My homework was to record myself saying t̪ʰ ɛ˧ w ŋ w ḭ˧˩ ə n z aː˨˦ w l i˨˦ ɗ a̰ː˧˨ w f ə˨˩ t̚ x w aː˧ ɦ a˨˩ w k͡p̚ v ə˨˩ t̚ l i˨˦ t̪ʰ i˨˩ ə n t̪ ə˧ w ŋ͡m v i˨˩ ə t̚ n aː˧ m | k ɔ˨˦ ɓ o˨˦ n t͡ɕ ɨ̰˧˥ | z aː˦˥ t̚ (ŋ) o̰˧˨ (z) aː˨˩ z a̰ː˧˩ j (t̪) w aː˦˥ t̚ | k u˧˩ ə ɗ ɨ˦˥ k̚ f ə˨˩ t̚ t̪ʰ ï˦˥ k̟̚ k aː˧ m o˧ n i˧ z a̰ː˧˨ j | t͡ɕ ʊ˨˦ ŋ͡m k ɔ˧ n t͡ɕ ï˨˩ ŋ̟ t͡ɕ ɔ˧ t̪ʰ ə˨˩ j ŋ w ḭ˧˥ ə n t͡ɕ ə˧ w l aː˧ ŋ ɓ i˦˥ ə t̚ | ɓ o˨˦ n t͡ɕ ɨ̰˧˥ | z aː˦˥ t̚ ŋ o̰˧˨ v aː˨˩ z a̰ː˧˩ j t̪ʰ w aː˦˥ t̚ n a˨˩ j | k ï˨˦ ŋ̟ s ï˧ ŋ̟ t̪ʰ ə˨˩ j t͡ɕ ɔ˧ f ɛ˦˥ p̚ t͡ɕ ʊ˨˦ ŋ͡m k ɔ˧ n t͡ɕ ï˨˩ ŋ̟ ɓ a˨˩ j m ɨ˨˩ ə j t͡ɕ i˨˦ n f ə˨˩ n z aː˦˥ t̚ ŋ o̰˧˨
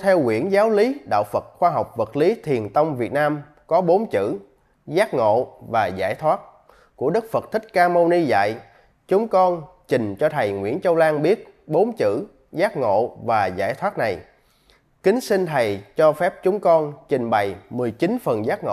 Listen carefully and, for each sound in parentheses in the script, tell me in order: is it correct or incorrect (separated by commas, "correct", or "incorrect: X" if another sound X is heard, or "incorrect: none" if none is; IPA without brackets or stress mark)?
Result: correct, incorrect: v, incorrect: t̪ʰ